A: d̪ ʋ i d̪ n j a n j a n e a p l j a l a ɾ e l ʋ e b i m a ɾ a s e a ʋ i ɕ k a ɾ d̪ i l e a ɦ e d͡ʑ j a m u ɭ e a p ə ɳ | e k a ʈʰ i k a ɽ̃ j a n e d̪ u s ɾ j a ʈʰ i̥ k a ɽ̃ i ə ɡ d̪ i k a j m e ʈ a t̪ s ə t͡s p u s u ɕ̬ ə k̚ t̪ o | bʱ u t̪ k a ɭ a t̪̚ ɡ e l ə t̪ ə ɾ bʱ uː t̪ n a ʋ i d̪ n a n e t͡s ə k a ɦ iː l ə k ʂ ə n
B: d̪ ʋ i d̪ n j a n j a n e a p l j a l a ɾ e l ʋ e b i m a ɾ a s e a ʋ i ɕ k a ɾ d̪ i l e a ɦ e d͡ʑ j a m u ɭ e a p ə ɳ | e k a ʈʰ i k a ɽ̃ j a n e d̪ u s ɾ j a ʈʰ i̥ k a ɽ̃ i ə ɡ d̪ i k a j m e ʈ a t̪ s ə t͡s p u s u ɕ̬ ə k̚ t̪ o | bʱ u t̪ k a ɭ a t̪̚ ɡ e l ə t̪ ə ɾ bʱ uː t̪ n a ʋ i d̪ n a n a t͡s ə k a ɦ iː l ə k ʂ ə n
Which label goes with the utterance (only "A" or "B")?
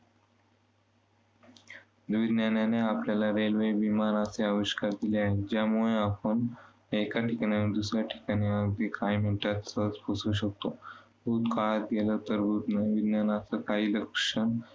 B